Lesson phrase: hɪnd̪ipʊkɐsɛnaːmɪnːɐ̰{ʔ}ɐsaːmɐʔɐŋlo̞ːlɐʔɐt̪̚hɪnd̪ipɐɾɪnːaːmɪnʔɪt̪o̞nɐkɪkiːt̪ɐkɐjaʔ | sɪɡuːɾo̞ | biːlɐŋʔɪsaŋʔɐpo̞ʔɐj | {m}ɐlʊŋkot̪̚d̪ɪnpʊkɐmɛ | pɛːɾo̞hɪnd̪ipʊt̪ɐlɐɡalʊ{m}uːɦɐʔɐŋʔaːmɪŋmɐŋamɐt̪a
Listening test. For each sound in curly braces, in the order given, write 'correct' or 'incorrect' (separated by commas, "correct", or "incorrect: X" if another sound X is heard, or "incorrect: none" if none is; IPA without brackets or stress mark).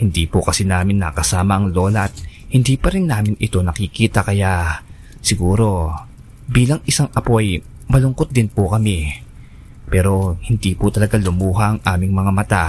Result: incorrect: k, correct, correct